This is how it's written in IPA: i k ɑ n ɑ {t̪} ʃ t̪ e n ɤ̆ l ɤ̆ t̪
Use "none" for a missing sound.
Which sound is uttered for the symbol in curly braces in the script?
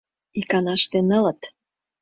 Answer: none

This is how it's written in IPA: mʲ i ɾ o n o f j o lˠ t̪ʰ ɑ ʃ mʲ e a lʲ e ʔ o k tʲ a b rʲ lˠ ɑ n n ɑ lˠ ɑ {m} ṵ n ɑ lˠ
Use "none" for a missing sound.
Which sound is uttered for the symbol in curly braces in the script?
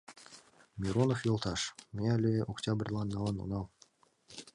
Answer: n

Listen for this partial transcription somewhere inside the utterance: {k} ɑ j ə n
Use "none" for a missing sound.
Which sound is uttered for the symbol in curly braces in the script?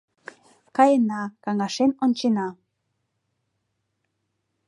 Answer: k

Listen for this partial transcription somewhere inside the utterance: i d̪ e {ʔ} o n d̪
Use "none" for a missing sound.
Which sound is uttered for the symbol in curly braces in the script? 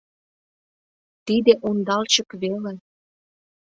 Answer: ʔ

